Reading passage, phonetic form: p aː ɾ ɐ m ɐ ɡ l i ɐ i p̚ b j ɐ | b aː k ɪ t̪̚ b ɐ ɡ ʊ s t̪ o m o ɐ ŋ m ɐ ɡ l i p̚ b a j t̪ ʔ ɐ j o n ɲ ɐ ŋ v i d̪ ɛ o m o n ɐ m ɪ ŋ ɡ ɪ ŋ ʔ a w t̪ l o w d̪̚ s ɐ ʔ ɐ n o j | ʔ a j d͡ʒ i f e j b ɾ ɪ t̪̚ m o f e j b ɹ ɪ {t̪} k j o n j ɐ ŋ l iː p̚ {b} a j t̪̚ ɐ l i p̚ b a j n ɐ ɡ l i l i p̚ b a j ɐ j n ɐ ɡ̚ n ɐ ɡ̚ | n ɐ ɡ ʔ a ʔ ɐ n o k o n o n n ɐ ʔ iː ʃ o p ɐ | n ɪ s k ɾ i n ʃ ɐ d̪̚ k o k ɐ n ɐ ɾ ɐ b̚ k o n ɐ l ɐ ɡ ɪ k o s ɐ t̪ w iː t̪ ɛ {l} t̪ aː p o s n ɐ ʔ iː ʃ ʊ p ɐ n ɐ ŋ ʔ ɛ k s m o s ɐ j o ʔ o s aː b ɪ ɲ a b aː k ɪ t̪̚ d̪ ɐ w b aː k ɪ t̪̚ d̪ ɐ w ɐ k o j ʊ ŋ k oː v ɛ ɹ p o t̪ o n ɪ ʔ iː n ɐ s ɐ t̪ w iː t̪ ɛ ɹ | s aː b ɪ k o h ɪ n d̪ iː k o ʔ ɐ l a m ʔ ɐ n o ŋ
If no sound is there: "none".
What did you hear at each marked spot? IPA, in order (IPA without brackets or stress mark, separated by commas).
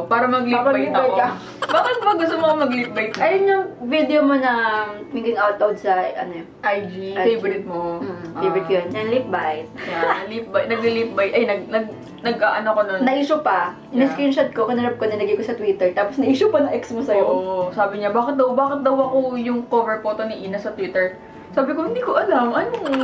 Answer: t̪, b, ɹ